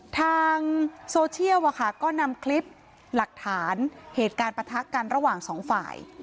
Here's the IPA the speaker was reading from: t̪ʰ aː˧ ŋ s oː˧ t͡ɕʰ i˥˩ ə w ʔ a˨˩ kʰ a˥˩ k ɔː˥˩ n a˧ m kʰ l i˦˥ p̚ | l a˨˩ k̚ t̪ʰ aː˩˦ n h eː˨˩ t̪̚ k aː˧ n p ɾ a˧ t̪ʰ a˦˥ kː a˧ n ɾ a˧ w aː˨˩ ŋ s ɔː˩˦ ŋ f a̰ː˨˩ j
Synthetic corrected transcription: t̪ʰ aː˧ ŋ s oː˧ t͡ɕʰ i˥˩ ə w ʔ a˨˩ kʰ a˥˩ k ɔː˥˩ n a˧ m kʰ l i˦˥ p̚ | l a˨˩ k̚ t̪ʰ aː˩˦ n h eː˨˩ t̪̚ k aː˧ n p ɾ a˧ t̪ʰ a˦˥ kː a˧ n ɾ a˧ w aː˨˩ ŋ s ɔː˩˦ ŋ f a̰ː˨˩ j